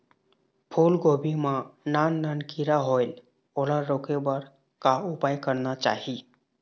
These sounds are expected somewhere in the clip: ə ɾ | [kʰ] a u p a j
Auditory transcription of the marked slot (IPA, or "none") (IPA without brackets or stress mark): k